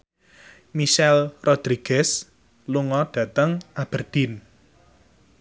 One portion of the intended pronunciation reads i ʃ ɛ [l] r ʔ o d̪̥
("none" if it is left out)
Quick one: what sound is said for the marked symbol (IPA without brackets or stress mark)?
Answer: l